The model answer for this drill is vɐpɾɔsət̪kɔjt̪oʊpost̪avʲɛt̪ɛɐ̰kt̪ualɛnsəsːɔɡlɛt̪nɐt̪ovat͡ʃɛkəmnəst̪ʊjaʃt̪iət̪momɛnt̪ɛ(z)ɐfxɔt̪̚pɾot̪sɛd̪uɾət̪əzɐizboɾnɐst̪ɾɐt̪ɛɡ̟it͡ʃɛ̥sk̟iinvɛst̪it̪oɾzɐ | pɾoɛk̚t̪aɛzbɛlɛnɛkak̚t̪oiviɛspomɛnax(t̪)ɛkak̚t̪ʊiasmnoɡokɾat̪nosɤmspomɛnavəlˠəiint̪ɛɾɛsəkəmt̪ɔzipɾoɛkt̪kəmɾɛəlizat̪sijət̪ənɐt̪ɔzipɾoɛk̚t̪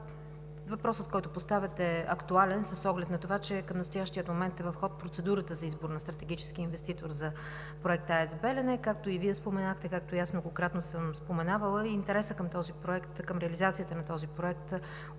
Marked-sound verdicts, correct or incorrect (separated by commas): incorrect, correct